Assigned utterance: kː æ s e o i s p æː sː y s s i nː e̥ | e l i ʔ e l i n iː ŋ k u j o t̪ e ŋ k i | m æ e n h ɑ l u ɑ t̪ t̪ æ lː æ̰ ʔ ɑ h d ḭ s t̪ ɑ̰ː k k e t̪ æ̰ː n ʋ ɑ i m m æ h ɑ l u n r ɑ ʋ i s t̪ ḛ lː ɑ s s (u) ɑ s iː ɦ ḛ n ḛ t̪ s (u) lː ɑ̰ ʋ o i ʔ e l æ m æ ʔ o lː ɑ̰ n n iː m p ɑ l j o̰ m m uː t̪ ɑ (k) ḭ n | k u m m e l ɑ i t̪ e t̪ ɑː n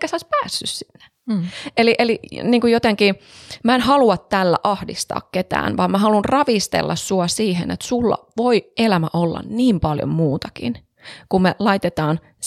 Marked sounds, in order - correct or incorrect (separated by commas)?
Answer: correct, correct, correct